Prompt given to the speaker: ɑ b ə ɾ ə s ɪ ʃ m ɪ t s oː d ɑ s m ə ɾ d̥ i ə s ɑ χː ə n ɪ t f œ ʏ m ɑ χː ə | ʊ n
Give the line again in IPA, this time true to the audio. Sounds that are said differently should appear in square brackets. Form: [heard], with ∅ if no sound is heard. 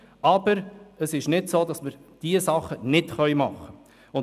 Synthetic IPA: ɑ b ə ɾ ə s ɪ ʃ [n] ɪ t s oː d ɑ s m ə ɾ d̥ i ə s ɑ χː ə n ɪ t [χ] œ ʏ m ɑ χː ə | ʊ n